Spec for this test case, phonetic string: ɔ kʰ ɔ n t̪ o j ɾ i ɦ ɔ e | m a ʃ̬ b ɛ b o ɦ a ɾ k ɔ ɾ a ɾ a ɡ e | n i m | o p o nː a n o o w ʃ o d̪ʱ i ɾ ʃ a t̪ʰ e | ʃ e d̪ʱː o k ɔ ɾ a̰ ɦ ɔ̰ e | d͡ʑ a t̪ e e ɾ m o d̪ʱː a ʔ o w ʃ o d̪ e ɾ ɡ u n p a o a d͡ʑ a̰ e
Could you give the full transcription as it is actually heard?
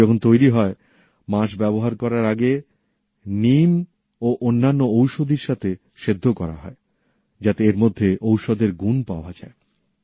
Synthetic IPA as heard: ɔ kʰ o n t̪ o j ɾ i ɦ ɔ e | m a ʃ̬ b ɛ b o ɦ a ɾ k ɔ ɾ a ɾ a ɡ e | n i m | o ʔ o nː a nː o o w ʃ o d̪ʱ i ɾ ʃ a t̪ʰ e | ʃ e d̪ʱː o k ɔ ɾ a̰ ɦ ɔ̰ e | d͡ʑ a t̪ e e ɾ m o d̪ʱː e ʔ o w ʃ o d̪ e ɾ ɡ u n p a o a d͡ʑ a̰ e